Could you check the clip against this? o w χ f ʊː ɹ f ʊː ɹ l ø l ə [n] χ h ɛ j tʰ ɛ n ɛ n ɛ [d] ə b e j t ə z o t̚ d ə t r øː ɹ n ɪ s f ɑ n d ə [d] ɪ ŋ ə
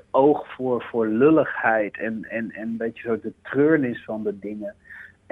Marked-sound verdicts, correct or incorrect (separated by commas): incorrect, incorrect, correct